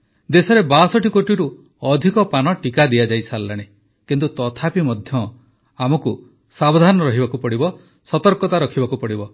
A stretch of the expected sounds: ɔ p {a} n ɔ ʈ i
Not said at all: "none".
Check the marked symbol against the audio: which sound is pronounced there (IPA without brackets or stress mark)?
a